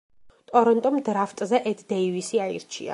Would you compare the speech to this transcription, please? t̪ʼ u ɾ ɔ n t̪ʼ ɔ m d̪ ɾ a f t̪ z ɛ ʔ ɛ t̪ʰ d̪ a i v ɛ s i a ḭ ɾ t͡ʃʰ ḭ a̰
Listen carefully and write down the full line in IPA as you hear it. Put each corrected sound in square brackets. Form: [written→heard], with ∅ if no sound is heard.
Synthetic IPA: t̪ʼ [u→ɔ] ɾ ɔ n t̪ʼ ɔ m d̪ ɾ a f [t̪→t̪ʼ] z ɛ ʔ ɛ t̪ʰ d̪ [a→ɛ] i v [ɛ→i] s i a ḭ ɾ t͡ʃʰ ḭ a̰